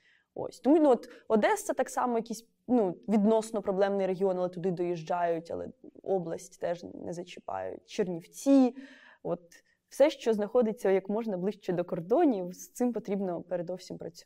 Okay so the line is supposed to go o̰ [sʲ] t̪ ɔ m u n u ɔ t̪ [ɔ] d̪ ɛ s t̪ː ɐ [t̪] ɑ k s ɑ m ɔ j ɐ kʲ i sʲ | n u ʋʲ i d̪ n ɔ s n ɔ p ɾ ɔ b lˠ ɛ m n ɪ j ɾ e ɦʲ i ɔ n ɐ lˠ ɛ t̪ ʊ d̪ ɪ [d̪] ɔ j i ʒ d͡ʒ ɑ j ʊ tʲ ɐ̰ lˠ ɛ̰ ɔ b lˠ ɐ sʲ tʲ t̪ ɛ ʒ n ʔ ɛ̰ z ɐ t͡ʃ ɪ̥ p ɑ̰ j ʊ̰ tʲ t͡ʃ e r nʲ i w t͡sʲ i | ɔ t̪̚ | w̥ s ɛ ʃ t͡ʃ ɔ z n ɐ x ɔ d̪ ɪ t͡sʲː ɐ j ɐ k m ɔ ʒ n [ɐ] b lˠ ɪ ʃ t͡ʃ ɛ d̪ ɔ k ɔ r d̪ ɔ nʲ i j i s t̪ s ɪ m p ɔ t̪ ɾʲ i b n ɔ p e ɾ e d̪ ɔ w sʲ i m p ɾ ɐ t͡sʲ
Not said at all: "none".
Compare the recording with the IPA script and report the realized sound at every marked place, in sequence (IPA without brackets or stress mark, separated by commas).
sʲ, ɔ, t̪, d̪, ɐ